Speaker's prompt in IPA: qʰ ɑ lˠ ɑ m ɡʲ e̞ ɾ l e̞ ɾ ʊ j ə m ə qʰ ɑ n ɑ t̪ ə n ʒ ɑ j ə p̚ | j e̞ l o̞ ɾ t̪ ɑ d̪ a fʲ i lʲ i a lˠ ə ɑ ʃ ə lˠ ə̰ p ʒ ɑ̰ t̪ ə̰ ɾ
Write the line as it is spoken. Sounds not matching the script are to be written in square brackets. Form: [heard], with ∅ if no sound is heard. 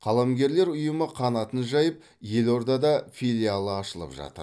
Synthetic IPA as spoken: qʰ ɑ lˠ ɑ m ɡʲ e̞ ɾ l e̞ ɾ ʊ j ə m ə qʰ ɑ n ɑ t̪ ə n ʒ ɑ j ə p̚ | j e̞ l o̞ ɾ [d̪] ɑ d̪ [ɑ] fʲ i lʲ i a lˠ ə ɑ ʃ ə lˠ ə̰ p ʒ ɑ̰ t̪ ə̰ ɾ